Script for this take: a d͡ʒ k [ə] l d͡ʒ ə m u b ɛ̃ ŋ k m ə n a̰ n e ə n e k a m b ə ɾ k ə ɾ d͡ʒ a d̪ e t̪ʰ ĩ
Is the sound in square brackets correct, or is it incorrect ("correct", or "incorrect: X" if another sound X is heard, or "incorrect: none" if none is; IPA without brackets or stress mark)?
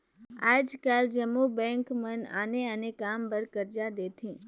incorrect: a